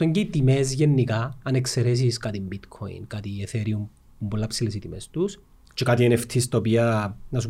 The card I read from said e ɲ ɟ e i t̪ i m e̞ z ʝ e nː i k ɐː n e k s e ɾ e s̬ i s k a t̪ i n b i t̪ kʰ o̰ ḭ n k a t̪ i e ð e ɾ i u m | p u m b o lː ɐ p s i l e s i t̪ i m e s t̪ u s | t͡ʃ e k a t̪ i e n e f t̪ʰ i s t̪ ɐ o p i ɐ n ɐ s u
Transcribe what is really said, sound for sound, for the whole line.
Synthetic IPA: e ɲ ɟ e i t̪ i m e̞ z ʝ e nː i k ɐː n e k s e ɾ e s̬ i s k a t̪ i m b i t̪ kʰ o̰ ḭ n k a t̪ i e θ e ɾ i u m | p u m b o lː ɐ p s i l e s i t̪ i m e s t̪ u s | t͡ʃ e k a t̪ i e n e f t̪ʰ i s t̪ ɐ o p i ɐ n ɐ s u